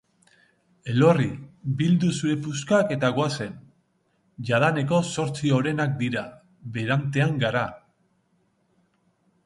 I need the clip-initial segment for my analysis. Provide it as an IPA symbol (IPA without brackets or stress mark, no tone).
e̞